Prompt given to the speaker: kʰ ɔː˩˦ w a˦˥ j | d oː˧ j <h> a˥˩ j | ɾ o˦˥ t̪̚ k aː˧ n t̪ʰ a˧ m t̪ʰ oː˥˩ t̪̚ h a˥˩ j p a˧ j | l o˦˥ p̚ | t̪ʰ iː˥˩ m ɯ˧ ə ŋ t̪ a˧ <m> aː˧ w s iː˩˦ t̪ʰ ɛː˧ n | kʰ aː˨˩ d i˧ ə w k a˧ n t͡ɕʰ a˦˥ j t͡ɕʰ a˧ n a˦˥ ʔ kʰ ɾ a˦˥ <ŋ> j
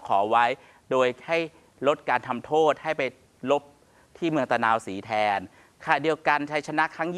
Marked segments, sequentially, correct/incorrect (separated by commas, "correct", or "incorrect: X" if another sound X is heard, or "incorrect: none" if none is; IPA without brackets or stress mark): correct, incorrect: n, correct